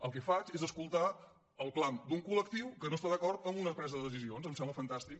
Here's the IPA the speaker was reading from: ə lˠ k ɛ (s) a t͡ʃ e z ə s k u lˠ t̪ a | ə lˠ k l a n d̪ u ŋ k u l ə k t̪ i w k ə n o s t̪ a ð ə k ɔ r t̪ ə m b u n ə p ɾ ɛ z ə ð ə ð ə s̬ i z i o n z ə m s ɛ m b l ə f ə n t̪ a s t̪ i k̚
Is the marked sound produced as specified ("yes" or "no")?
no